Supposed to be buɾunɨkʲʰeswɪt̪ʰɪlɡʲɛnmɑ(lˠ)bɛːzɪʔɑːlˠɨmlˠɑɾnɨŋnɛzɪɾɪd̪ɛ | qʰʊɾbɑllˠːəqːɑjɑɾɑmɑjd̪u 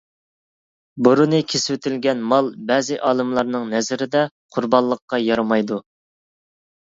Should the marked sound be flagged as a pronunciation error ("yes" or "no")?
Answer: no